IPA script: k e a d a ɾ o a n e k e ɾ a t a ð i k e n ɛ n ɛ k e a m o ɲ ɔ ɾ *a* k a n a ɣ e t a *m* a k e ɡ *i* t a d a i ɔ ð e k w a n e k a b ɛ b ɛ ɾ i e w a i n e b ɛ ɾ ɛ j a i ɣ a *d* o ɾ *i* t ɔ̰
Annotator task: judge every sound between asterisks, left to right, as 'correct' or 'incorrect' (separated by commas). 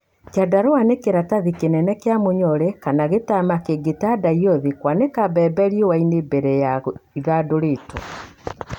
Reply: incorrect, correct, incorrect, correct, incorrect